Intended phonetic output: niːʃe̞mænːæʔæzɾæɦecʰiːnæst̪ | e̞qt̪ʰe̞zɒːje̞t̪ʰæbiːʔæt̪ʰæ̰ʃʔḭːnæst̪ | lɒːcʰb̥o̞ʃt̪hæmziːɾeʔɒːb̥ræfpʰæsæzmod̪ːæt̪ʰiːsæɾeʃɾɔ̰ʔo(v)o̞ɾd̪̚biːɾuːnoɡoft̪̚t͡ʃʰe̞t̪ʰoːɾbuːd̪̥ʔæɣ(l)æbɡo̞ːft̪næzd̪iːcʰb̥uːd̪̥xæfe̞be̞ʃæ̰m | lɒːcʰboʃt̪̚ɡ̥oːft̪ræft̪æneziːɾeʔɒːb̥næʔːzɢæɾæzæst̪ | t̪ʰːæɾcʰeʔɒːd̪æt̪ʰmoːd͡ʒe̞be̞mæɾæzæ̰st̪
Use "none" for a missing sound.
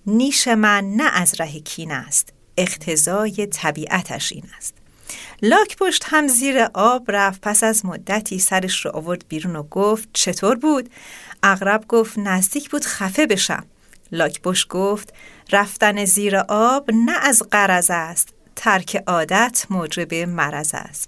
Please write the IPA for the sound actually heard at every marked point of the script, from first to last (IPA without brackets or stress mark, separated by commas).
v, ɾ